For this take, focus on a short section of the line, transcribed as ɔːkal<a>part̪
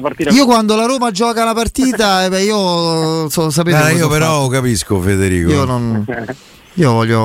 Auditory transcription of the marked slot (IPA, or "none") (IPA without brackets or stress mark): a